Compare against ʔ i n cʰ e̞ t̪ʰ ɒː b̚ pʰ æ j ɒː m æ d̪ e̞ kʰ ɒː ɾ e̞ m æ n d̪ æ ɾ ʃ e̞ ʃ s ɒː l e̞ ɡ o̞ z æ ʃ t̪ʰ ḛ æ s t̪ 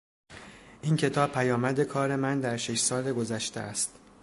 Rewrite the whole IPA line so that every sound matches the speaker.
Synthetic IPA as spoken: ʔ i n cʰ e̞ t̪ʰ ɒː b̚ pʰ æ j ɒː m æ d̪ e̞ kʰ ɒː ɾ e̞ m æ n d̪ æ ɾ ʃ e̞ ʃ s ɒː l e̞ ɡ o̞ z æ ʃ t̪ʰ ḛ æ s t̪